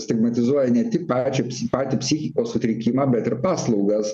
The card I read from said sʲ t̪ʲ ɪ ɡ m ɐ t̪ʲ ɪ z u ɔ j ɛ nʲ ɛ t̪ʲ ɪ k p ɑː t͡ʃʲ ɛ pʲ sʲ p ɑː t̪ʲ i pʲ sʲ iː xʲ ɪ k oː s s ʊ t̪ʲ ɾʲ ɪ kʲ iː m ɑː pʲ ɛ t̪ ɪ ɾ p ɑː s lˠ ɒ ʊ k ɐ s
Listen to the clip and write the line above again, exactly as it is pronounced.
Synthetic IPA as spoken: sʲ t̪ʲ ɪ ɡ m ɐ t̪ʲ ɪ z u ɔ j ɛ nʲ ɛ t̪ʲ ɪ k p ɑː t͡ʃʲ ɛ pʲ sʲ p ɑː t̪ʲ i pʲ sʲ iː xʲ ɪ k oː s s ʊ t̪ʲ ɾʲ ɪ kʲ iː m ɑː bʲ ɛ t̪ ɪ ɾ p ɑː s lˠ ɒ ʊ ɡ ɐ s